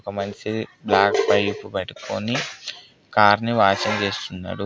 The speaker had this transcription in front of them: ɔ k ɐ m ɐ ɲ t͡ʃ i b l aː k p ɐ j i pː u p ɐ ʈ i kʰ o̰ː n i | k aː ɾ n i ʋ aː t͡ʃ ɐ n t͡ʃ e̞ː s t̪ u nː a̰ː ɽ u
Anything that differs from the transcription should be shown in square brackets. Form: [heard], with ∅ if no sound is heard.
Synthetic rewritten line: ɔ k ɐ m ɐ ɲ t͡ʃ i b l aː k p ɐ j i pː u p ɐ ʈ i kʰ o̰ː n i | k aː ɾ n i ʋ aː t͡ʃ ɐ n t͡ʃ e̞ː s t̪ u nː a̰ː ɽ u